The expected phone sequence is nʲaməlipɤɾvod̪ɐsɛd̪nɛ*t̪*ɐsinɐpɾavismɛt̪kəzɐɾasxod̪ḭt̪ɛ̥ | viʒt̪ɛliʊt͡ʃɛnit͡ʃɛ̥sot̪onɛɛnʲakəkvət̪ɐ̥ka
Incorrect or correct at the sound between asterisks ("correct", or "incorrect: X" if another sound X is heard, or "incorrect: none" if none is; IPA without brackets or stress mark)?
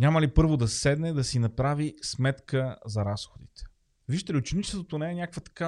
incorrect: d̪